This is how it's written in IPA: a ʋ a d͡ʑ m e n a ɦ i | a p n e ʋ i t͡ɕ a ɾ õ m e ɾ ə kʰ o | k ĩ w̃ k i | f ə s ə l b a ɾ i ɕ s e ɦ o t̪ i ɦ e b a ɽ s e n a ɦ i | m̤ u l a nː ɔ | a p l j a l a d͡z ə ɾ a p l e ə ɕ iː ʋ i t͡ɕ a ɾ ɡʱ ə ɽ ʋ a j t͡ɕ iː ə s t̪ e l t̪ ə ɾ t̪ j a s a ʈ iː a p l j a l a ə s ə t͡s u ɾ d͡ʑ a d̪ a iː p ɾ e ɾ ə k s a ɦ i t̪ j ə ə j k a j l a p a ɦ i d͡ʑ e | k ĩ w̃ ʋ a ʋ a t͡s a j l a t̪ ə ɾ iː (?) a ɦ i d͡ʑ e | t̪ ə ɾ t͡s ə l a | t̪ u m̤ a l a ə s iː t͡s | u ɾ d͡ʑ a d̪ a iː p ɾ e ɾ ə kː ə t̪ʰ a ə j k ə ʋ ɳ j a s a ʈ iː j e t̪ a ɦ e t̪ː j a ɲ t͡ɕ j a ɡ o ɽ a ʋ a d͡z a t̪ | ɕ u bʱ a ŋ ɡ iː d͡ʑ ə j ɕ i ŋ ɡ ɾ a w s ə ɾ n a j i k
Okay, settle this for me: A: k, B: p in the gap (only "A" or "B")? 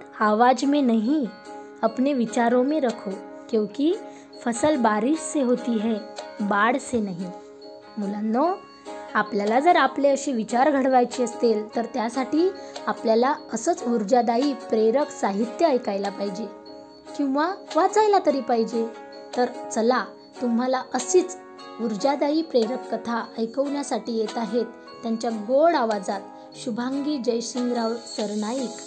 B